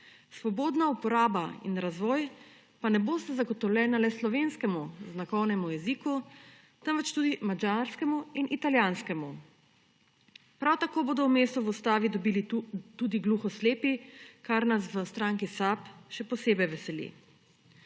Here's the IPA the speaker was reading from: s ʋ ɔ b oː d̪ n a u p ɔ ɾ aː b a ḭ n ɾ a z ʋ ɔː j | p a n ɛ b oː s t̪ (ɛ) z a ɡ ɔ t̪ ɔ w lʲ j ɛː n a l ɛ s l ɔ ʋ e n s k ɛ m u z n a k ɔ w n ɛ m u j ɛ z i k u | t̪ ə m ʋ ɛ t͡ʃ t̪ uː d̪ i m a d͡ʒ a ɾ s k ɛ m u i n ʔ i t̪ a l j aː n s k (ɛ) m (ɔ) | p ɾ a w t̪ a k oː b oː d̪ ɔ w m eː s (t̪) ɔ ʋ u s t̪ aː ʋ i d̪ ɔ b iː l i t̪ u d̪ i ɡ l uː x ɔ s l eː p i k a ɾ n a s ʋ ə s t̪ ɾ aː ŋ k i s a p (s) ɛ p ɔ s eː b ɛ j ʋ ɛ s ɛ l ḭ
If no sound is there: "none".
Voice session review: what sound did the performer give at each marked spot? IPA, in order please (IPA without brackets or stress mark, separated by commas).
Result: a, ɛ, u, t̪, ʃ